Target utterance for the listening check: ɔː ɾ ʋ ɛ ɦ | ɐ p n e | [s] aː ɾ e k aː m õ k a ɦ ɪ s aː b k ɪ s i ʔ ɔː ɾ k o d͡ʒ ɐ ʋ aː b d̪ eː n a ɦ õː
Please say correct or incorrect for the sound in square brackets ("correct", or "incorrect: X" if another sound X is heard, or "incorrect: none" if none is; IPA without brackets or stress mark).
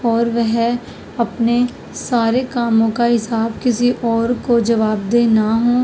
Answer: correct